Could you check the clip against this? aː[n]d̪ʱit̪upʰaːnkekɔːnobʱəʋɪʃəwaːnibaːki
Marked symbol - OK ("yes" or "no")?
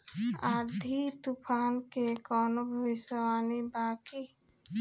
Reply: no